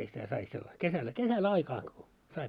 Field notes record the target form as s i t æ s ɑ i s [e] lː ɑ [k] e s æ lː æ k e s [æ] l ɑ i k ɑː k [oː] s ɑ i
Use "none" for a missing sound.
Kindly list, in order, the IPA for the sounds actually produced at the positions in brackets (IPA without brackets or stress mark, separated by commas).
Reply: e, k, æ, o